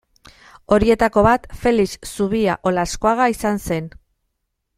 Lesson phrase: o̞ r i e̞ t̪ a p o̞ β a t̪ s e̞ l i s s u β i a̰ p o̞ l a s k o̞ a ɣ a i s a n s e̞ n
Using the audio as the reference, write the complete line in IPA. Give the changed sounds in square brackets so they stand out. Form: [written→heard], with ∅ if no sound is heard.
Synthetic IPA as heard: o̞ [r→ɾ] i e̞ t̪ a [p→k] o̞ β a t̪ [s→f] e̞ l i s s u β i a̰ [p→ʔ] o̞ l a s k o̞ a ɣ a i s a n s e̞ n